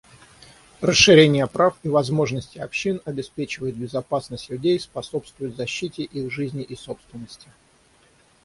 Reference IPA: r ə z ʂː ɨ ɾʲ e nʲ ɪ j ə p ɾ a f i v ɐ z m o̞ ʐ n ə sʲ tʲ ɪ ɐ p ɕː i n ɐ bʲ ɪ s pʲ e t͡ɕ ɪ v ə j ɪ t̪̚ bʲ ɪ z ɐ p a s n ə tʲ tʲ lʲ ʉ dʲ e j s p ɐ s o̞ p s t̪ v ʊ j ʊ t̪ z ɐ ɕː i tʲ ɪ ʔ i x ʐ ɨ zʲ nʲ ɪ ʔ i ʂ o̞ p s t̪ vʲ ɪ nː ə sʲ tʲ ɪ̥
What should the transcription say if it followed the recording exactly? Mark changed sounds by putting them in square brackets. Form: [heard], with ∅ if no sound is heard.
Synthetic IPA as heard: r ə [s] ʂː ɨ ɾʲ e nʲ ɪ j ə p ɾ a f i v ɐ z m o̞ ʐ n ə sʲ tʲ ɪ ɐ p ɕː i n ɐ bʲ ɪ s pʲ e t͡ɕ ɪ v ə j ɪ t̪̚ bʲ ɪ z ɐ p a s n ə [sʲ] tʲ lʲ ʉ dʲ e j s p ɐ s o̞ p s t̪ v ʊ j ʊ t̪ z ɐ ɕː i tʲ ɪ ʔ i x ʐ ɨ zʲ nʲ ɪ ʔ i [s] o̞ p s t̪ vʲ ɪ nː ə sʲ tʲ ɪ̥

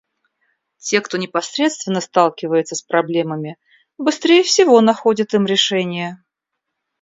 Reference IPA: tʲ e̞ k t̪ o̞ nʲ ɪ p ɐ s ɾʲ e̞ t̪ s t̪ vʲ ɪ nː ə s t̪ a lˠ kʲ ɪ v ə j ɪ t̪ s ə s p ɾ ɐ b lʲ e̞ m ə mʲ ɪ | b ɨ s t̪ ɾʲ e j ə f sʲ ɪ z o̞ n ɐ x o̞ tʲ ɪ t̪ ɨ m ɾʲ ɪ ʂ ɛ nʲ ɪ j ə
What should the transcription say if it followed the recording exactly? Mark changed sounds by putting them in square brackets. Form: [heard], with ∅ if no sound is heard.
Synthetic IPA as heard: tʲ e̞ k t̪ o̞ nʲ ɪ p ɐ s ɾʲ e̞ t̪ s t̪ vʲ ɪ nː ə s t̪ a lˠ kʲ ɪ v ə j ɪ t̪ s ə s p ɾ ɐ b lʲ e̞ m ə mʲ ɪ | b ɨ s t̪ ɾʲ e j ə f sʲ ɪ [v] o̞ n ɐ x o̞ [dʲ] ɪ t̪ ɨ m ɾʲ ɪ ʂ ɛ nʲ ɪ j ə

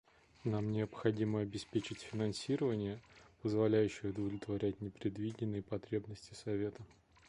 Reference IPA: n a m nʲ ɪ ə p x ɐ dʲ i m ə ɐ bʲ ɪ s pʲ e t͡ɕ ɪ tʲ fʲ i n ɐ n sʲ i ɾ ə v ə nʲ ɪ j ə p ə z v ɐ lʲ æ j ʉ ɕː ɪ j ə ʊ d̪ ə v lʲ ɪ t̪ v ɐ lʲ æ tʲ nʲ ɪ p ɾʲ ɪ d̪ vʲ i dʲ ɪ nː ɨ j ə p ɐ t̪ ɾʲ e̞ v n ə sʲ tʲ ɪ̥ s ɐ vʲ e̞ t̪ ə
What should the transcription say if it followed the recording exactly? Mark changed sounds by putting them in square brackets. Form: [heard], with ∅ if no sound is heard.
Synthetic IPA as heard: n a m nʲ ɪ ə p x ɐ dʲ i m ə ɐ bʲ ɪ s pʲ e t͡ɕ ɪ tʲ fʲ [ɪ] n ɐ n sʲ i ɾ ə v ə nʲ ɪ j ə p ə z v ɐ lʲ æ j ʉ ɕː ɪ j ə ʊ d̪ ə v lʲ ɪ t̪ v ɐ [ɾʲ] æ tʲ nʲ ɪ p ɾʲ ɪ d̪ vʲ i dʲ ɪ nː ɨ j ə p ɐ t̪ ɾʲ e̞ [b] n ə sʲ tʲ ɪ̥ s ɐ vʲ e̞ t̪ ə

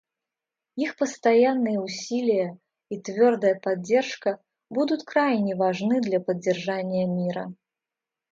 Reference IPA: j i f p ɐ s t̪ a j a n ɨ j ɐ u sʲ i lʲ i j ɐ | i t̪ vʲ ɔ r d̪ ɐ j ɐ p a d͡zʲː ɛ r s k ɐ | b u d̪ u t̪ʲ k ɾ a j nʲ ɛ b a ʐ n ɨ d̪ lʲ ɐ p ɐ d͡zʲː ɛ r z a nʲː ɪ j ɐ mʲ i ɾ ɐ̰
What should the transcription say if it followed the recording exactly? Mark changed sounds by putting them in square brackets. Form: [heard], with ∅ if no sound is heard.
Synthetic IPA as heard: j i [x] p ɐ s t̪ a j a [nː] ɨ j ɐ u sʲ i lʲ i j ɐ | i t̪ vʲ ɔ r d̪ ɐ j ɐ p a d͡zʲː ɛ r [ʂ] k ɐ | b u d̪ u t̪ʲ k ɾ a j nʲ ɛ [v] a ʐ n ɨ d̪ lʲ ɐ p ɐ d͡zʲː ɛ r [ʐ] a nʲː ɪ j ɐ mʲ i ɾ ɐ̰

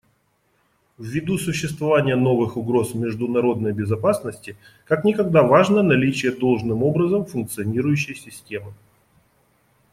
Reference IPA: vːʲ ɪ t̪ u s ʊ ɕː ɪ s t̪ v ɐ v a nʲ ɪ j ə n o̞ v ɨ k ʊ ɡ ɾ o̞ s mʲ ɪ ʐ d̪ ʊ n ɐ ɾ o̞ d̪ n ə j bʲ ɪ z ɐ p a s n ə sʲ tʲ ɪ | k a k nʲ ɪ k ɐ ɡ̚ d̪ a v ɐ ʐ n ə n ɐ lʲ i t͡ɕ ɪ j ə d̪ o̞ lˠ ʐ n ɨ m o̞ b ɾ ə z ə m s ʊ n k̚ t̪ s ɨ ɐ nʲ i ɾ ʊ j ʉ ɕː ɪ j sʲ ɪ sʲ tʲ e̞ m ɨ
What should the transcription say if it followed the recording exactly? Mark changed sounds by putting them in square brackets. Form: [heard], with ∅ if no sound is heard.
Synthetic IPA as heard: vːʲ ɪ [d̪] u s ʊ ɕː ɪ s t̪ v ɐ v a nʲ ɪ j ə n o̞ v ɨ [x] ʊ ɡ ɾ o̞ s mʲ ɪ ʐ d̪ ʊ n ɐ ɾ o̞ d̪ n ə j bʲ ɪ z ɐ p a s n ə sʲ tʲ ɪ | k a k nʲ ɪ k ɐ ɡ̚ d̪ a v [a] ʐ n ə n ɐ lʲ i t͡ɕ ɪ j ə d̪ o̞ lˠ ʐ n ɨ m o̞ b ɾ ə z ə m [f] ʊ n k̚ t̪ s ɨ ɐ nʲ i ɾ ʊ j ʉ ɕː ɪ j sʲ ɪ sʲ tʲ e̞ m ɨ

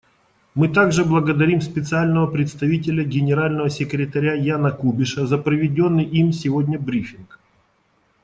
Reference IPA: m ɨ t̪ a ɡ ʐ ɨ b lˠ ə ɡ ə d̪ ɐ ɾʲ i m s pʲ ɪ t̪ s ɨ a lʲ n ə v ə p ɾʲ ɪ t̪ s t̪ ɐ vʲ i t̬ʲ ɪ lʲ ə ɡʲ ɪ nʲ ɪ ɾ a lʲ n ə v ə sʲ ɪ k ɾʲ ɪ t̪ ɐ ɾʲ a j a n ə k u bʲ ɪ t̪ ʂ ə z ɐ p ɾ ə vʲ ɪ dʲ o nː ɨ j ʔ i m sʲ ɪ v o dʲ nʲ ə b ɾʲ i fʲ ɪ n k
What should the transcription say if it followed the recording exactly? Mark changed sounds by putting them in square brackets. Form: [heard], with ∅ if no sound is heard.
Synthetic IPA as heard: m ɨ t̪ a ɡ ʐ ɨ b lˠ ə ɡ ə d̪ ɐ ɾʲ i m s pʲ ɪ t̪ s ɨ a lʲ n ə v ə p ɾʲ ɪ t̪ s t̪ ɐ vʲ i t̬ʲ ɪ lʲ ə ɡʲ ɪ nʲ ɪ ɾ a lʲ n ə v ə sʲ ɪ k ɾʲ ɪ t̪ ɐ ɾʲ a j a n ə k u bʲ ɪ [∅] ʂ ə z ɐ p ɾ ə vʲ ɪ dʲ o nː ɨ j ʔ i m sʲ ɪ v o dʲ nʲ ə b ɾʲ i fʲ ɪ n k

